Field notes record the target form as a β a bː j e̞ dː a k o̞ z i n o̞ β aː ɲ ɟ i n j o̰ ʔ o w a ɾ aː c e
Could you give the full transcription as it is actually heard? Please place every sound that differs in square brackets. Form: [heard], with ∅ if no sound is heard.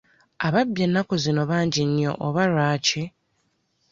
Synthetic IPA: a β a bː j e̞ [nː] a k o̞ z i n o̞ β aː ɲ ɟ i n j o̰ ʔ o [β] a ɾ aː c e

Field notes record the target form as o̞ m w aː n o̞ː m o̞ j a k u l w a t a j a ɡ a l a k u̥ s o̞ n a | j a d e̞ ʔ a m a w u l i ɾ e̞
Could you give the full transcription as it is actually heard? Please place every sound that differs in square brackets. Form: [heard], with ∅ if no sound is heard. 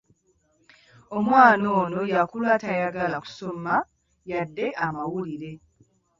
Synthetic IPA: o̞ m w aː n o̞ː [n] o̞ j a k u l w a t a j a ɡ a l a k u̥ s o̞ [m] a | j a [dː] e̞ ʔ a m a w u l i ɾ e̞

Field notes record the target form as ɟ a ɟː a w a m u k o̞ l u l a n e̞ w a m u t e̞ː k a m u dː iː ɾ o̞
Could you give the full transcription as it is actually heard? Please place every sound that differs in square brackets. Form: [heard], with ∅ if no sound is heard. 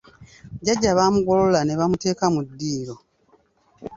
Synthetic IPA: ɟ a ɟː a [β] a m u [ɡ] o̞ l [o] l a n e̞ [β] a m u t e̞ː k a m u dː iː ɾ o̞

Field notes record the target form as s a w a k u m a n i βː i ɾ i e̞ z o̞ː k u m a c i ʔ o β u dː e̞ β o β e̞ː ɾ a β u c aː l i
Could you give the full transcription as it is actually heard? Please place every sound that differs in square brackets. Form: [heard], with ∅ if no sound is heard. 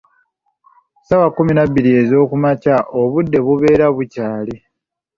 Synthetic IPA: s a w a k u m [i] n [a] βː i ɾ i e̞ z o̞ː k u m a c [a] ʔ o β u dː e̞ β [u] β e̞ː ɾ a β u c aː l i

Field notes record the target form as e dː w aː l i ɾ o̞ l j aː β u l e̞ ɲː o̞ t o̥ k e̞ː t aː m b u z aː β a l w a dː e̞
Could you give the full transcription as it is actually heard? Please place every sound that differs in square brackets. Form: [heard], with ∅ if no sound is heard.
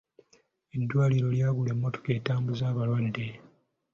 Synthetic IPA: e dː w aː l i ɾ o̞ l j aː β u l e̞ [mː] o̞ t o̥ k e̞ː t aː m b u z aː β a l w a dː e̞

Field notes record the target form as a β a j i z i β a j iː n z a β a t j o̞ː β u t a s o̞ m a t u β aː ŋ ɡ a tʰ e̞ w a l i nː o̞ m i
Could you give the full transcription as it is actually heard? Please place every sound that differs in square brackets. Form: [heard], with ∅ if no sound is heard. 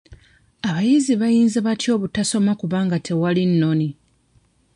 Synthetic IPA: a β a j i z i β a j iː n z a β a t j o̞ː β u t a s o̞ m a [k] u β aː ŋ ɡ a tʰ e̞ w a l i nː o̞ [n] i

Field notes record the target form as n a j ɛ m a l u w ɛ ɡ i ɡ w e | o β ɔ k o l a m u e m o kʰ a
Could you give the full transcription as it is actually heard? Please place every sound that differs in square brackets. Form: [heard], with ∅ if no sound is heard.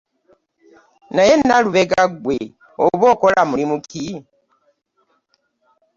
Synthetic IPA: n a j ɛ [n] a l u [β] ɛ ɡ [a] ɡ w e | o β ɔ k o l a m u [i] m [u] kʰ [i]

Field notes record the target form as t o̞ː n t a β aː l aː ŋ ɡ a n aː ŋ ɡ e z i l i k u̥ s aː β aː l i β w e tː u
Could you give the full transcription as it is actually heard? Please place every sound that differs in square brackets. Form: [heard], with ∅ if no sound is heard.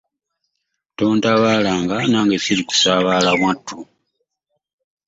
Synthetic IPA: t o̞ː n t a β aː l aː ŋ ɡ a n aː ŋ ɡ e [s] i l i k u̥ s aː β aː l [a] β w [a] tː u

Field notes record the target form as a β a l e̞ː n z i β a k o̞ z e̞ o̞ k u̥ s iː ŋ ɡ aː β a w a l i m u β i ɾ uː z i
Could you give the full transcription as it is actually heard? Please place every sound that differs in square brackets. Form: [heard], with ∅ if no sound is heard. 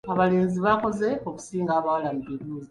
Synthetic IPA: a β a l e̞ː n z i β a k o̞ z e̞ o̞ k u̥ s iː ŋ ɡ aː β a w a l [a] m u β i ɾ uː z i

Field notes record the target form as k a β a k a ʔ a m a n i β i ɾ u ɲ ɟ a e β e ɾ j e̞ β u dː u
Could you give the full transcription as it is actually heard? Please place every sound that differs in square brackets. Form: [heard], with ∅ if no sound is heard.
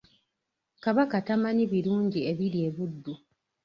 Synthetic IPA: k a β a k a [t] a m a n i β i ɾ [uː] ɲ ɟ [i] e β [i] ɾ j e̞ β u dː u

